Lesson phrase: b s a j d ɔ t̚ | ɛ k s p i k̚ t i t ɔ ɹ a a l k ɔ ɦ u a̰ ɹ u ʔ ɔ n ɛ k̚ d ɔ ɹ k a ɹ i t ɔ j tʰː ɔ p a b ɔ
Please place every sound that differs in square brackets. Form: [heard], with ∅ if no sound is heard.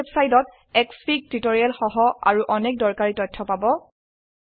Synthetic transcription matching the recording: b s a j d ɔ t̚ | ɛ k s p i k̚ t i t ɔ ɹ [i] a l [x] ɔ ɦ [ɔ] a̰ ɹ u ʔ ɔ n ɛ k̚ d ɔ ɹ k a ɹ i t ɔ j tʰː ɔ p a b ɔ